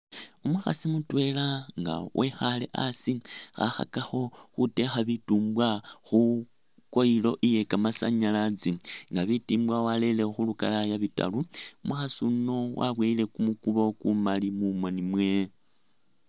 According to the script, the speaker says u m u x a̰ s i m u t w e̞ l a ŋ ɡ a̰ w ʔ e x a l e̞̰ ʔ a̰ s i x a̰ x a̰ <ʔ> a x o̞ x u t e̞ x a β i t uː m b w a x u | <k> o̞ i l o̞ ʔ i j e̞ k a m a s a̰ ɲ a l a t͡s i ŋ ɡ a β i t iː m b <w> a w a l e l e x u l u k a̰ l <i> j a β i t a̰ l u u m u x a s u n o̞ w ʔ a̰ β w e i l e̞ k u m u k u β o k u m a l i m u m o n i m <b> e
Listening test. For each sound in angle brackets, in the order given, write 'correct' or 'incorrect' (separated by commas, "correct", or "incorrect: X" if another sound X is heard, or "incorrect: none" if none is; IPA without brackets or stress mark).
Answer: incorrect: k, correct, correct, incorrect: a, incorrect: w